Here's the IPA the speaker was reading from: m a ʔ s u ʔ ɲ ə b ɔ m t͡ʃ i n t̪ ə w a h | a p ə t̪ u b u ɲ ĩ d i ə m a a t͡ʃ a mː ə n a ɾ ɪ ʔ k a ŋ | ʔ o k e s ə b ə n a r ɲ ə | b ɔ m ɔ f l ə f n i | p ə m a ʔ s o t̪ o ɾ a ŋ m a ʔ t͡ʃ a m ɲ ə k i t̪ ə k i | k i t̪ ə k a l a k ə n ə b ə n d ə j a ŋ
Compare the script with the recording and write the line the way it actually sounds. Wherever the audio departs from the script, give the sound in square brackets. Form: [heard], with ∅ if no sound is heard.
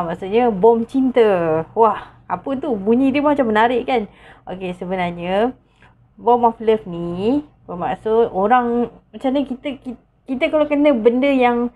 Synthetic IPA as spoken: m a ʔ s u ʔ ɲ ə b ɔ m t͡ʃ i n t̪ ə w a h | a p ə t̪ u b u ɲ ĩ d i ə m a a t͡ʃ a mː ə n a ɾ ɪ ʔ k a [n] | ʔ o k e s ə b ə n a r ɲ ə | b ɔ m ɔ f l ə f n i | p ə m a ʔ s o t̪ o ɾ a ŋ m a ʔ t͡ʃ a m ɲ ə k i t̪ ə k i | k i t̪ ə k a l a k ə n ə b ə n d ə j a ŋ